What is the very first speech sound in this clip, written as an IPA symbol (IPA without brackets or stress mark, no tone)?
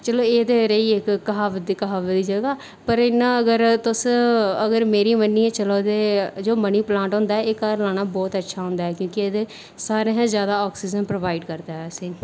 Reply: t͡ʃ